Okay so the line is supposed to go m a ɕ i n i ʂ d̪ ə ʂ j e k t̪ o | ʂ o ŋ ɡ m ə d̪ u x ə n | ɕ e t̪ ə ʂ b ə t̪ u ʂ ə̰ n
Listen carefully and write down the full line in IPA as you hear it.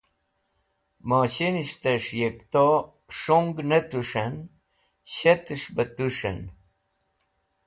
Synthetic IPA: m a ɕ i n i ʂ t̪ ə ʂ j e k t̪ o | ʂ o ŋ ɡ n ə t̪ u ʂ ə n | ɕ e t̪ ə ʂ b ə t̪ u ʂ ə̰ n

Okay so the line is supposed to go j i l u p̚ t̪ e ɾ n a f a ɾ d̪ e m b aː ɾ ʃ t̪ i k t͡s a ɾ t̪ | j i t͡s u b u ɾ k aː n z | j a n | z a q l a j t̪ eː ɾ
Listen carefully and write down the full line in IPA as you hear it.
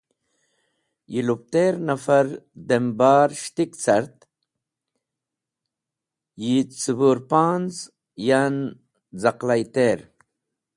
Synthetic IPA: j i l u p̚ t̪ e ɾ n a f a ɾ d̪ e m b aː ɾ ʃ t̪ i k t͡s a ɾ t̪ | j i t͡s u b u ɾ p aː n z | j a n | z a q l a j t̪ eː ɾ

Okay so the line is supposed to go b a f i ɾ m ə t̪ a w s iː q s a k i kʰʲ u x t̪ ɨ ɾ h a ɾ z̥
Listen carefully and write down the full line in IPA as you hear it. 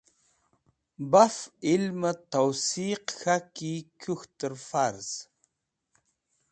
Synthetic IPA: b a f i l m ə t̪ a w s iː q x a k i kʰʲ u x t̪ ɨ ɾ f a ɾ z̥

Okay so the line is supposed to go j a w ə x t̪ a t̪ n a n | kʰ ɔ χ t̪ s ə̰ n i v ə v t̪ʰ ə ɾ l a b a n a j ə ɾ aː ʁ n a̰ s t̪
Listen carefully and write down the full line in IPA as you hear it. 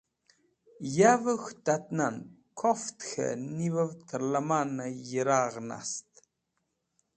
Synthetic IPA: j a v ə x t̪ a t̪ n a n | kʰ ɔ f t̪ x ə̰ n i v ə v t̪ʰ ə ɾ l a m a n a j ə ɾ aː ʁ n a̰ s t̪

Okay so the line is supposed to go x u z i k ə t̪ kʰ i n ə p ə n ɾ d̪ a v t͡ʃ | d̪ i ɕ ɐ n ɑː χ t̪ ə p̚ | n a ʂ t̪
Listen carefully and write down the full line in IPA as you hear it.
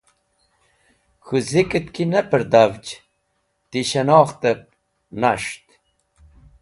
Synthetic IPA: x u z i k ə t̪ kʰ i n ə p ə ɾ d̪ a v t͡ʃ | t̪ i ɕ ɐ n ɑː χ t̪ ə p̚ | n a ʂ t̪

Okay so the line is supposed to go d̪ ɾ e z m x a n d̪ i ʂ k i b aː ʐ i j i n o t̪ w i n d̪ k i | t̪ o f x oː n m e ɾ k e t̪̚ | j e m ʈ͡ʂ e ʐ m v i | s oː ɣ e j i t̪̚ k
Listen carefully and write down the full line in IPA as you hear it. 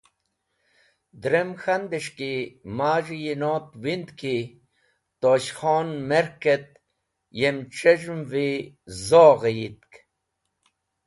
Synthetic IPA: d̪ ɾ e m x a n d̪ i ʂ k i m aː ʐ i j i n o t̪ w i n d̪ k i | t̪ o ɕ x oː n m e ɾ k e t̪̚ | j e m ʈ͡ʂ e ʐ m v i | z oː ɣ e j i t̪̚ k

